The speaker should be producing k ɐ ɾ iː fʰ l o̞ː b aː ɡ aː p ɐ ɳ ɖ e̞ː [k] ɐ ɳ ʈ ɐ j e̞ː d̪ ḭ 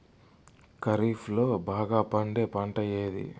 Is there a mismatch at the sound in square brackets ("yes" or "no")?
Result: yes